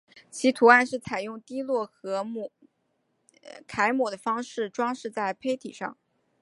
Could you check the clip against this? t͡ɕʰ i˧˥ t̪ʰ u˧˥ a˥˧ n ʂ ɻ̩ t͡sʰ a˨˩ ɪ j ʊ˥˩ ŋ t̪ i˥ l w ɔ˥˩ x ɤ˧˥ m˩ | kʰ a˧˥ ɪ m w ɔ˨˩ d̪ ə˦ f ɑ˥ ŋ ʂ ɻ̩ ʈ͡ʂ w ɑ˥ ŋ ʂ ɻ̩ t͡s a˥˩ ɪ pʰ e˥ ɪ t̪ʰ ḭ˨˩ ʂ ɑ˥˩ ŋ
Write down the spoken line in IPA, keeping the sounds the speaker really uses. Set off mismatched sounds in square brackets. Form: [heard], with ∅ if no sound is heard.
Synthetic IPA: t͡ɕʰ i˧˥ t̪ʰ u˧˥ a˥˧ n ʂ ɻ̩ t͡sʰ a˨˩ ɪ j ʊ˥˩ ŋ t̪ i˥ l w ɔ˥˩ x ɤ˧˥ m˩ | kʰ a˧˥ ɪ m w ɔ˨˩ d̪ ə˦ f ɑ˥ ŋ ʂ ɻ̩ ʈ͡ʂ w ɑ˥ ŋ ʂ ɻ̩ t͡s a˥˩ ɪ pʰ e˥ ɪ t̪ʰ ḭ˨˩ ʂ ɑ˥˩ ŋ

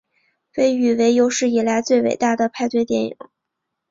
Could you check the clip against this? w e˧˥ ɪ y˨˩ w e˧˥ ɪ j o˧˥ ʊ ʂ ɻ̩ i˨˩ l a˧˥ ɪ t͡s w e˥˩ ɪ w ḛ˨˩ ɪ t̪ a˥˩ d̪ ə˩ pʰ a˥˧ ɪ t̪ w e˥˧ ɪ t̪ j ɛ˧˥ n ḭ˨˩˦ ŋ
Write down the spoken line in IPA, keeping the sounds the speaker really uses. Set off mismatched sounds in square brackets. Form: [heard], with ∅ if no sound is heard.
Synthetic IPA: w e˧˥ ɪ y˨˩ w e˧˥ ɪ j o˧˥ ʊ ʂ ɻ̩ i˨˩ l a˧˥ ɪ t͡s w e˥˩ ɪ w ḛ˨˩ ɪ t̪ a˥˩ d̪ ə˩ pʰ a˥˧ ɪ t̪ w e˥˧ ɪ t̪ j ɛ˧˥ n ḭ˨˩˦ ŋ

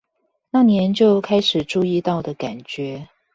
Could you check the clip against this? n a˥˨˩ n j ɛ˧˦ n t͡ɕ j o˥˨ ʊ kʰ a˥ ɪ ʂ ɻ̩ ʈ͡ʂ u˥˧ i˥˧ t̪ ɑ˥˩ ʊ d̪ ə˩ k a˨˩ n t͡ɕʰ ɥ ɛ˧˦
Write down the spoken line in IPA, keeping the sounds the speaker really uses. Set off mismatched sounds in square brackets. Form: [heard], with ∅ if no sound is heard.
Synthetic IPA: n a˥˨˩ n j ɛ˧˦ n t͡ɕ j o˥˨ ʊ kʰ a˥ ɪ ʂ ɻ̩ ʈ͡ʂ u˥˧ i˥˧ t̪ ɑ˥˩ ʊ d̪ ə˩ k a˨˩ n [t͡ɕ] ɥ ɛ˧˦

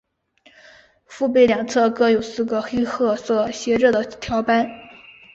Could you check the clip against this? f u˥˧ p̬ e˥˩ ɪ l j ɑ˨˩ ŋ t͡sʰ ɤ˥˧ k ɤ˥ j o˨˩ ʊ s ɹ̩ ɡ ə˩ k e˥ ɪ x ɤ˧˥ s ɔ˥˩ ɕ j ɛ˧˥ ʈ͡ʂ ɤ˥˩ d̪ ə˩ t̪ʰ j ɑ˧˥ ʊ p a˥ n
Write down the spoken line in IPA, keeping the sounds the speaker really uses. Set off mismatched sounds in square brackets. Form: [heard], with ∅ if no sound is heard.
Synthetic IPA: f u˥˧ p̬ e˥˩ ɪ l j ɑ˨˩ ŋ t͡sʰ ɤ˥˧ k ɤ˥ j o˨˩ ʊ s ɹ̩ ɡ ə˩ [x] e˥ ɪ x [ɤ˥˧] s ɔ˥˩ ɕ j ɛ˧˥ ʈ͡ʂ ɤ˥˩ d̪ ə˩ t̪ʰ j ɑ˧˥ ʊ p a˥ n

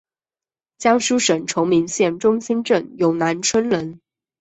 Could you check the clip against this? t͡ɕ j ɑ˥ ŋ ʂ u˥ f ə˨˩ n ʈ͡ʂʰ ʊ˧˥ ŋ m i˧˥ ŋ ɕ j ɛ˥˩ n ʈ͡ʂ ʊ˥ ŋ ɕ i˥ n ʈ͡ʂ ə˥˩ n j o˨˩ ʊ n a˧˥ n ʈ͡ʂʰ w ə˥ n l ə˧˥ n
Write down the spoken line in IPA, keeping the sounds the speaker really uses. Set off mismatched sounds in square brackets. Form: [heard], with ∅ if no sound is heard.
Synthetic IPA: t͡ɕ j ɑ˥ ŋ ʂ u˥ [ʂ] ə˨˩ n ʈ͡ʂʰ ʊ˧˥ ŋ m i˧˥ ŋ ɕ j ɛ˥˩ n ʈ͡ʂ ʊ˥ ŋ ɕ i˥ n ʈ͡ʂ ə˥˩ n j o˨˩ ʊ n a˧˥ n ʈ͡ʂʰ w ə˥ n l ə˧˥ n

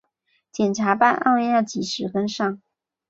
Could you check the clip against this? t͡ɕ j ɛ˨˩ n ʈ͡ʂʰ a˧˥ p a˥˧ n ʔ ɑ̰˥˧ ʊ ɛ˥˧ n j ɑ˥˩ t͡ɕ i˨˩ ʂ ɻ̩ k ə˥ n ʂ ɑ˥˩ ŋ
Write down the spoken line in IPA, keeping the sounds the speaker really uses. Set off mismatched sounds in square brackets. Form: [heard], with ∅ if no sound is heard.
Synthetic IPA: t͡ɕ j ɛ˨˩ n ʈ͡ʂʰ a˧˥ p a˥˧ n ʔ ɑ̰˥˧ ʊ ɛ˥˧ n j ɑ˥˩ t͡ɕ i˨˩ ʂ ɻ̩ k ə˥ n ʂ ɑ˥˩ ŋ

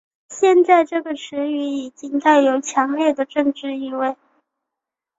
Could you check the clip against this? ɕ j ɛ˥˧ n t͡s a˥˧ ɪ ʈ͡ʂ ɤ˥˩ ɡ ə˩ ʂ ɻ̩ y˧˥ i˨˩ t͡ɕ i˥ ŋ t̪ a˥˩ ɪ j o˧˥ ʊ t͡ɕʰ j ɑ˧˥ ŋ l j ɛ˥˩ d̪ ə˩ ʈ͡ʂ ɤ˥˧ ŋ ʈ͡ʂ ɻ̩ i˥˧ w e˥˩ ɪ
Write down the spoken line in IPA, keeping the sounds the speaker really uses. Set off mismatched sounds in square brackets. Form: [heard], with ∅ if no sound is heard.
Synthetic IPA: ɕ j ɛ˥˧ n t͡s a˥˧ ɪ ʈ͡ʂ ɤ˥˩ ɡ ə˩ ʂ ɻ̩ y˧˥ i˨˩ t͡ɕ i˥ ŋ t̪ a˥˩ ɪ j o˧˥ ʊ t͡ɕʰ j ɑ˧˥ ŋ l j ɛ˥˩ d̪ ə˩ ʈ͡ʂ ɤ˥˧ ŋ ʈ͡ʂ ɻ̩ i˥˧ w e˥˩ ɪ

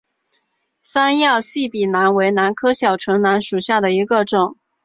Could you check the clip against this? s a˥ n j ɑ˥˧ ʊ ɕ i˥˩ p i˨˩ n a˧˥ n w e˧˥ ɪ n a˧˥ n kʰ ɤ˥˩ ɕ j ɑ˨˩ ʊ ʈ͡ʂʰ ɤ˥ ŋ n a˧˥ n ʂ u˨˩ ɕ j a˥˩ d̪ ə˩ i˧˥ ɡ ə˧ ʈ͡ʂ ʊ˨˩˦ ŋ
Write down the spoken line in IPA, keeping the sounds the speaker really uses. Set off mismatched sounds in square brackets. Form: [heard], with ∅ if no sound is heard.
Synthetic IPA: s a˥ n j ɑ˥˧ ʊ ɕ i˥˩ p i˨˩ n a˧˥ n w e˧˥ ɪ n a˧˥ n kʰ [ɤ˥] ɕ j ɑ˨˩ ʊ ʈ͡ʂʰ [ɤ˧˥] ŋ n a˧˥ n ʂ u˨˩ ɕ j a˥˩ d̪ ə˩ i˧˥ ɡ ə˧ ʈ͡ʂ ʊ˨˩˦ ŋ

